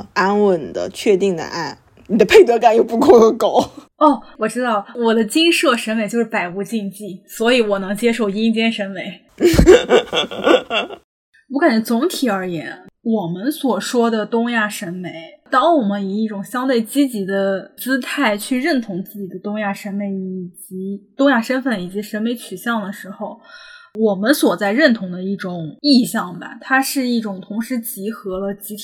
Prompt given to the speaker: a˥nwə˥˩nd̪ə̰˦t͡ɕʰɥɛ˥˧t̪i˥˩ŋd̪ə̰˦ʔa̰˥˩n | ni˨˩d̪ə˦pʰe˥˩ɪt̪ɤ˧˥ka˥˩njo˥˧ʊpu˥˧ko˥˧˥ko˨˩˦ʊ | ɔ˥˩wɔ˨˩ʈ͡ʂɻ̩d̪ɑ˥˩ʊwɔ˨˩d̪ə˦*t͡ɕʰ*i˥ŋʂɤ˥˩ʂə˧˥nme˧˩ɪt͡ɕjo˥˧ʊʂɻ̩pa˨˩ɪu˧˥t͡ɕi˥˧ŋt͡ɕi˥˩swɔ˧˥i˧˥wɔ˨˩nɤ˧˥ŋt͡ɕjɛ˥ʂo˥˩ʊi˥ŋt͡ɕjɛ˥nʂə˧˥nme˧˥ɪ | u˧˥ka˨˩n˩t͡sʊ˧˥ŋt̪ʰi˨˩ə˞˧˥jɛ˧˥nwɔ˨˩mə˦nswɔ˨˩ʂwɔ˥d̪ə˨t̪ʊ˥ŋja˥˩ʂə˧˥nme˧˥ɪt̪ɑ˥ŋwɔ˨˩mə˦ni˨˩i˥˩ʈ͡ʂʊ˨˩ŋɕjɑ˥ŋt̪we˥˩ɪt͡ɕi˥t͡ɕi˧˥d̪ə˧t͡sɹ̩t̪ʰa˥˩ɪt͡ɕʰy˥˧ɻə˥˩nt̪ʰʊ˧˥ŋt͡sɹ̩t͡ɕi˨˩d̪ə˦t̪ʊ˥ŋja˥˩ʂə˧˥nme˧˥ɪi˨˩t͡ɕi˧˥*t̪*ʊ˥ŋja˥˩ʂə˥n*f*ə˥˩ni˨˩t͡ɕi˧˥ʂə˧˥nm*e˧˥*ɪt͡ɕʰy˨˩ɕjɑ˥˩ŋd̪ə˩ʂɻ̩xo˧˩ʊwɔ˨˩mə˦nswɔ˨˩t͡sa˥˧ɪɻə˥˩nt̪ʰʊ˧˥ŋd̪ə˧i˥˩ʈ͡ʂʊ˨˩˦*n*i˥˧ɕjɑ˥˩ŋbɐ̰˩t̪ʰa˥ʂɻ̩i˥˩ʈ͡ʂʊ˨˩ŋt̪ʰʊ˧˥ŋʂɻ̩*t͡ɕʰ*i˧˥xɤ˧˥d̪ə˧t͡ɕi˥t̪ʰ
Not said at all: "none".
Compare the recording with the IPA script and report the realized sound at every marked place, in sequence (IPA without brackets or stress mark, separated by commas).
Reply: t͡ɕ, t̪, f, e˧˥, ŋ, t͡ɕ